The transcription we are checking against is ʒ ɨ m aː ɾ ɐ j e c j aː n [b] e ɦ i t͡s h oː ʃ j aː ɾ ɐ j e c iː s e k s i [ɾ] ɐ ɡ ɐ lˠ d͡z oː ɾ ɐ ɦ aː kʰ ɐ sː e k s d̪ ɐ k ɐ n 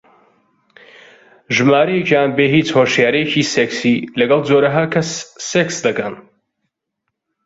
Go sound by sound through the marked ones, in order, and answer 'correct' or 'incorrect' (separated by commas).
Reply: correct, incorrect